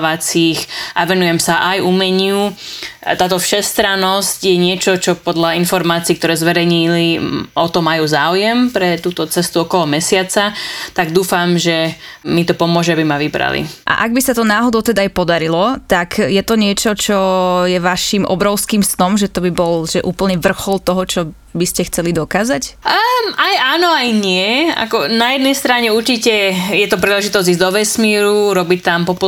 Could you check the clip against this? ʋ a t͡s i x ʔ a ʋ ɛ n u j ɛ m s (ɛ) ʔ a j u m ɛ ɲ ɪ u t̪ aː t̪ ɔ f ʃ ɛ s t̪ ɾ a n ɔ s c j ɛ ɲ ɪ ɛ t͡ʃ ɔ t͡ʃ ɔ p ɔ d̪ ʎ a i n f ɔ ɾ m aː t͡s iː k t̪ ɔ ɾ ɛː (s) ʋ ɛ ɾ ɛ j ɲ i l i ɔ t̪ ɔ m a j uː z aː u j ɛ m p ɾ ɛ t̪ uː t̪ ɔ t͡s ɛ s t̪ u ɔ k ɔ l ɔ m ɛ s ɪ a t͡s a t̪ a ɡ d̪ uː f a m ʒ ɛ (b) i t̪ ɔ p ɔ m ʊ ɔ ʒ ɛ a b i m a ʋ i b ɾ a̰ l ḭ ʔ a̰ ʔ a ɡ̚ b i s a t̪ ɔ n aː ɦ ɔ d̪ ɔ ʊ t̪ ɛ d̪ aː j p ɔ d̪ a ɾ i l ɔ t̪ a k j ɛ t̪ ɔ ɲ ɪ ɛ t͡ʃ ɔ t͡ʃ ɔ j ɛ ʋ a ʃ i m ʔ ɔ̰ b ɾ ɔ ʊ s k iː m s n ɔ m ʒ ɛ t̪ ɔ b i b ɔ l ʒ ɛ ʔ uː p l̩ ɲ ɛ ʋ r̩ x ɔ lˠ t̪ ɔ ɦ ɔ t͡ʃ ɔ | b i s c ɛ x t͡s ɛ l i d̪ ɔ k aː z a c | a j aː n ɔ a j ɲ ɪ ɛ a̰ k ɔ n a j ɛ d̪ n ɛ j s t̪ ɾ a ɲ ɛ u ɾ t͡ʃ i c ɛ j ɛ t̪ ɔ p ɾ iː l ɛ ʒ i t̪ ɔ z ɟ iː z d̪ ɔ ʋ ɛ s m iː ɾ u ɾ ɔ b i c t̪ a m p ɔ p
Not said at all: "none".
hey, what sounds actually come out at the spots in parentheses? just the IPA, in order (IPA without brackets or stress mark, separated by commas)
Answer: a, z, m